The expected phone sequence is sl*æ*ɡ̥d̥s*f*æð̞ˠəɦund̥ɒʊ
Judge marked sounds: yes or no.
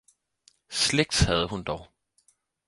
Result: no, no

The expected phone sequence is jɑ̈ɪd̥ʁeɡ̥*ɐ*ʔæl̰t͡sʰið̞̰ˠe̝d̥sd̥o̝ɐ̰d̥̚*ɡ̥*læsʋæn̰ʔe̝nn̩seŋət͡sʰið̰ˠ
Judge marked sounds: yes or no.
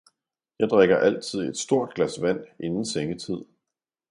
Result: yes, yes

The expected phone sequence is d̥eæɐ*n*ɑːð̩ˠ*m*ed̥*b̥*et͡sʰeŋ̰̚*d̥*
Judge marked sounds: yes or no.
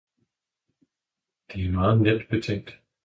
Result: no, no, yes, yes

